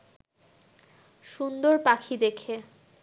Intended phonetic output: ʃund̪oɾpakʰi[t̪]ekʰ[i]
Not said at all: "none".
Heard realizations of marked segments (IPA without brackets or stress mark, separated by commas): d̪, e